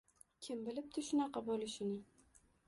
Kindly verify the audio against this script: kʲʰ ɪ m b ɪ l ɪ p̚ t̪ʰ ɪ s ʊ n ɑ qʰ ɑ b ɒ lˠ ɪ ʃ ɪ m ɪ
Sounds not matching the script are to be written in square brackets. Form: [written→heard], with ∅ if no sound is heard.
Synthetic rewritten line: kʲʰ ɪ m b ɪ l ɪ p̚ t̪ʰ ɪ [s→ʃ] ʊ n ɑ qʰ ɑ b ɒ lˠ ɪ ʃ ɪ [m→n] ɪ